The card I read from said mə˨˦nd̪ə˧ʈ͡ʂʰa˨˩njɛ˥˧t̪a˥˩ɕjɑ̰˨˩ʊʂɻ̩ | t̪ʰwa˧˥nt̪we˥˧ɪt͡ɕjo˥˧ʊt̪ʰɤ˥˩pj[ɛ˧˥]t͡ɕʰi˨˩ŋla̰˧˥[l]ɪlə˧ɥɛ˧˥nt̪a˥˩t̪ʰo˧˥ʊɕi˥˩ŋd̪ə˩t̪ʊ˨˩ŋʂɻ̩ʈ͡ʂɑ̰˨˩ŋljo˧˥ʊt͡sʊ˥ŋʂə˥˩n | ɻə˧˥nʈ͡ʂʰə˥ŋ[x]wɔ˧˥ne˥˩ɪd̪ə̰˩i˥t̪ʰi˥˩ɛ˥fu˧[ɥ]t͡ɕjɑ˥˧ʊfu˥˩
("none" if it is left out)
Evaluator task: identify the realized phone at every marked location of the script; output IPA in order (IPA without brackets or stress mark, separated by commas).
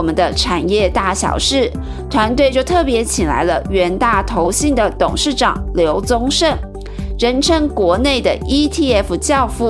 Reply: ɛ˧˥, none, k, none